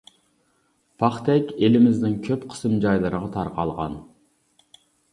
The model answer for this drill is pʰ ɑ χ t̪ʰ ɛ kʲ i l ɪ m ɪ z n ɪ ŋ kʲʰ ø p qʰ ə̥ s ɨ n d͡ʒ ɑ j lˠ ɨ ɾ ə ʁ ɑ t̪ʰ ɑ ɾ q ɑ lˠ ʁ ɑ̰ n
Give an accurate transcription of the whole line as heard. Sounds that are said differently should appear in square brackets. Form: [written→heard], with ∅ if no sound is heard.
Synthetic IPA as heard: pʰ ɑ χ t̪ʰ ɛ kʲ [i→e] l ɪ m ɪ z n ɪ ŋ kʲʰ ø p qʰ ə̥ s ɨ [n→m] d͡ʒ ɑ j lˠ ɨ ɾ ə ʁ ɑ t̪ʰ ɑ ɾ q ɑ lˠ ʁ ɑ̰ n